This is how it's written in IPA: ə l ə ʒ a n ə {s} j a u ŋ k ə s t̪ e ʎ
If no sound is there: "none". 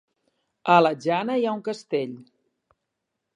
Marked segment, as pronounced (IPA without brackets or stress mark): none